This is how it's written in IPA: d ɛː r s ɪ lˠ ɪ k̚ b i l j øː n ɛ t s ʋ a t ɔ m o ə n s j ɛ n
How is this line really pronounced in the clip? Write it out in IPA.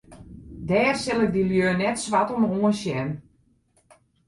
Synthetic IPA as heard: d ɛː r s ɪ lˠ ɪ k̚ d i l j øː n ɛ t s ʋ a t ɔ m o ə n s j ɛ n